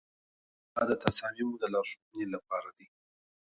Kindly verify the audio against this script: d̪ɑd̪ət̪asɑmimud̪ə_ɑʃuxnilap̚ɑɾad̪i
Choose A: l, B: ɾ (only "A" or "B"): A